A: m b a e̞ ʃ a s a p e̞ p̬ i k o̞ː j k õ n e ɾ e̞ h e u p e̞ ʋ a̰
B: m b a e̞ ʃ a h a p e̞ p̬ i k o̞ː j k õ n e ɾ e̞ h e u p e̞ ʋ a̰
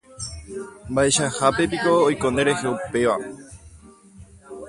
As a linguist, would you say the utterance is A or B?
B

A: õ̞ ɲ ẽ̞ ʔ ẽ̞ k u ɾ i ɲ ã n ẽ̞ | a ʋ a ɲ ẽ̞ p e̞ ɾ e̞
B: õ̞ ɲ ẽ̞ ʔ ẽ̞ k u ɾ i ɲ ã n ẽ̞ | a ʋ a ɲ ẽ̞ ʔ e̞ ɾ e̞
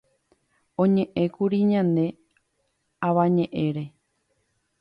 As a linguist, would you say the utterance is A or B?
B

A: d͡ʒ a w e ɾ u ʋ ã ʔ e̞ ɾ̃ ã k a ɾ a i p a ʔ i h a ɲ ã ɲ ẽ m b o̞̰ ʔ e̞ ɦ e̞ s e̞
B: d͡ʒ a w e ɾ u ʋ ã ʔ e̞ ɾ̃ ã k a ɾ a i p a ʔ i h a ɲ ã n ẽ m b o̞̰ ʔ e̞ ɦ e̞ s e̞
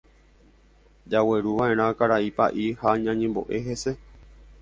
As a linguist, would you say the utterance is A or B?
A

